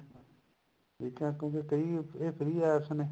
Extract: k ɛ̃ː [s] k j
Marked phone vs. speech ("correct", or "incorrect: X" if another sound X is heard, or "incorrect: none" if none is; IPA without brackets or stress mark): incorrect: none